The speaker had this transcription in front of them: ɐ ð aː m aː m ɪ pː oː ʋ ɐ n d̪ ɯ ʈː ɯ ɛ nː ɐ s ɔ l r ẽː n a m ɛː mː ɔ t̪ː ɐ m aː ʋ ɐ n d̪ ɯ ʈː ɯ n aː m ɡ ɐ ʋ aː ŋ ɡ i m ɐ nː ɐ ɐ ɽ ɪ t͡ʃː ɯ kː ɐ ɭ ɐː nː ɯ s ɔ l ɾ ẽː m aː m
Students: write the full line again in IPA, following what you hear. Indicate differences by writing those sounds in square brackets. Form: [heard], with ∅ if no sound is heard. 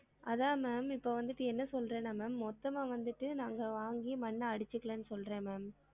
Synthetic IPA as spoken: ɐ ð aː m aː m ɪ pː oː ʋ ɐ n d̪ ɯ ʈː ɯ ɛ nː ɐ s ɔ l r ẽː n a m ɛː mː ɔ t̪ː ɐ m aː ʋ ɐ n d̪ ɯ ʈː ɯ n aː [ŋ] ɡ ɐ ʋ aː ŋ ɡ i m ɐ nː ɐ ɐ ɽ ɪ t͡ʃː ɯ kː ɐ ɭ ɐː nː ɯ s ɔ l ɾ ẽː m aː m